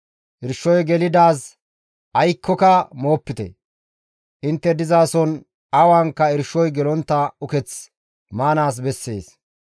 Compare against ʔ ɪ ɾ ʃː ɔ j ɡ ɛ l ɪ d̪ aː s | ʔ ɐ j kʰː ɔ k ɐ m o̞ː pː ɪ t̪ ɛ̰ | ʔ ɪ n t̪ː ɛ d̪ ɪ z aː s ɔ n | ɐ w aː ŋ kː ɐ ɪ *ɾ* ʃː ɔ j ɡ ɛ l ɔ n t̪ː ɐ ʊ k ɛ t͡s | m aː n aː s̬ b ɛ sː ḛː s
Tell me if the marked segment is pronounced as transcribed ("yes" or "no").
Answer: yes